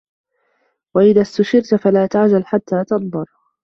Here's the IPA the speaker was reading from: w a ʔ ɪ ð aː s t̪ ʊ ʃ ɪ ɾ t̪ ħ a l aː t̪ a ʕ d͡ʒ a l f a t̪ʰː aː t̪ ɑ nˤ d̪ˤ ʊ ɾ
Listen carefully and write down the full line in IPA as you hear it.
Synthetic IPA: w a ʔ ɪ ð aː s t̪ ʊ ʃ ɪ ɾ t̪ f a l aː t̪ a ʕ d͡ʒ a l ħ a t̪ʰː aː t̪ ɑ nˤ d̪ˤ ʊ ɾ